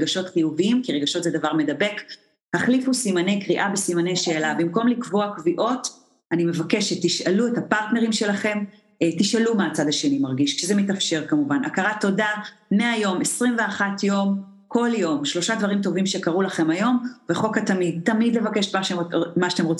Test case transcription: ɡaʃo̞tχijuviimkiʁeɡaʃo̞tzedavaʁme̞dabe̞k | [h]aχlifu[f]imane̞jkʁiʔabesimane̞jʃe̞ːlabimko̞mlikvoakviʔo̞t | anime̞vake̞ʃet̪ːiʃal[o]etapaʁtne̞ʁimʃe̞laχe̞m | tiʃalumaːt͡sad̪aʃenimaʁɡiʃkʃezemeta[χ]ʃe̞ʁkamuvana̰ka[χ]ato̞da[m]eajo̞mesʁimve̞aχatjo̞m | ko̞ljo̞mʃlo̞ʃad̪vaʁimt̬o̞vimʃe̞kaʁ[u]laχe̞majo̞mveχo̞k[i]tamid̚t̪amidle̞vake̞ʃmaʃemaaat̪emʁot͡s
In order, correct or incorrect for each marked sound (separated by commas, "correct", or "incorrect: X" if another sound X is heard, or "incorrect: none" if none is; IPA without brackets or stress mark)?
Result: correct, incorrect: s, incorrect: u, incorrect: f, incorrect: ʁ, correct, correct, incorrect: a